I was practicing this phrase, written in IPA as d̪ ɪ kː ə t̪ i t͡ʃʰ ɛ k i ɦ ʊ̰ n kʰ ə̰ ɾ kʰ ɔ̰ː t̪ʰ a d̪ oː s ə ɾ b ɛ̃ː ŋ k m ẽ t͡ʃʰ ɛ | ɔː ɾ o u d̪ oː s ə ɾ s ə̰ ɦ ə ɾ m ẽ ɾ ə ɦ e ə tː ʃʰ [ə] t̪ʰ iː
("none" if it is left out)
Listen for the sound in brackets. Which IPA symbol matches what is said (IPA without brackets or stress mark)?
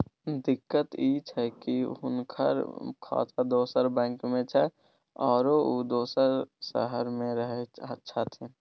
a